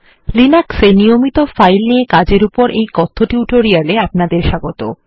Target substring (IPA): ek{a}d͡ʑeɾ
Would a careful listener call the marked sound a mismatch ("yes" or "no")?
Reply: no